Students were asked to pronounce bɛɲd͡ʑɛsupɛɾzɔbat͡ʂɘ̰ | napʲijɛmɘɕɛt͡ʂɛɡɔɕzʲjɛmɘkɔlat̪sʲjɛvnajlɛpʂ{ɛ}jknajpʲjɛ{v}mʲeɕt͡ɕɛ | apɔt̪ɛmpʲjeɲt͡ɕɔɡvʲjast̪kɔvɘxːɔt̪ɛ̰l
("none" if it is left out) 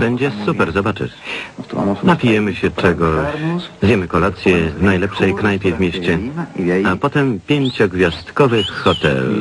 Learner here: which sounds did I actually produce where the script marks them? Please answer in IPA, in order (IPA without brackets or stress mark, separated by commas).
ɛ, v